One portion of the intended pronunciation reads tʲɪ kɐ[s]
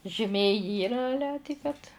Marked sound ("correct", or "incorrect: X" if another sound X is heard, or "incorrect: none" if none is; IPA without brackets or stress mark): incorrect: t